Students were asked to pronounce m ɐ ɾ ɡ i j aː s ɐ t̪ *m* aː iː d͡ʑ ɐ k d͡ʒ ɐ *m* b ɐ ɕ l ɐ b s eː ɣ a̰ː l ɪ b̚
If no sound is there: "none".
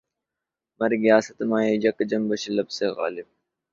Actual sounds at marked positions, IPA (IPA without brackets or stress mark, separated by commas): m, m